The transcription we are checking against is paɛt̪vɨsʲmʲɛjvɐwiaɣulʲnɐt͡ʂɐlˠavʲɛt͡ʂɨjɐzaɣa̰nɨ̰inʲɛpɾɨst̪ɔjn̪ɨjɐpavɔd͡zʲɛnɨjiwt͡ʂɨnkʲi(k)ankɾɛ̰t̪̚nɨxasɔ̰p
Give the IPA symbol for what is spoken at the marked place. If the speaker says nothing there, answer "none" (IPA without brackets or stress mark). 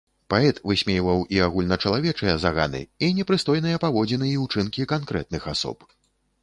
k